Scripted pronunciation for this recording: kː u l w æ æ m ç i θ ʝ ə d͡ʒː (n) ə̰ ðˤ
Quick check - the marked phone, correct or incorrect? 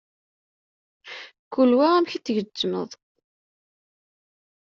incorrect